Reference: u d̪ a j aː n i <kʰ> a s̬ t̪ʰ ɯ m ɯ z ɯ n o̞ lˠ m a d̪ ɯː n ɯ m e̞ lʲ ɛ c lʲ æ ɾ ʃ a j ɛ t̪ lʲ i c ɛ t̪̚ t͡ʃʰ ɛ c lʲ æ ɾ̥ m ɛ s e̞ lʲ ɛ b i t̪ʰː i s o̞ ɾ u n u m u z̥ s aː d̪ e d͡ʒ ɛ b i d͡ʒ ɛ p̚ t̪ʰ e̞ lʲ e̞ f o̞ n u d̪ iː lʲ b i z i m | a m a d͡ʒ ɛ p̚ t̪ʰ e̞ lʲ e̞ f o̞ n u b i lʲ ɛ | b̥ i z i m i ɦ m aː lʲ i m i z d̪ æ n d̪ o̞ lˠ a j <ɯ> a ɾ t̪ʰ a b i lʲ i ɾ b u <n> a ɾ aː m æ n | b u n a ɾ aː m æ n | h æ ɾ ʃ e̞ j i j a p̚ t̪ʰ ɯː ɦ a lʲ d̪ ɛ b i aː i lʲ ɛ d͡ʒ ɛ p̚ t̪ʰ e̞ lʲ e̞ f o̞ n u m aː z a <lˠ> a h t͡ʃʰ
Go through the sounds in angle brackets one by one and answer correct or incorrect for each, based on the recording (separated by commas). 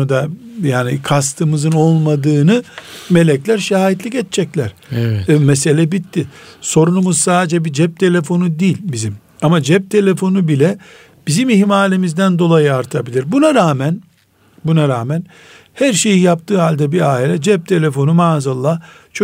correct, correct, correct, incorrect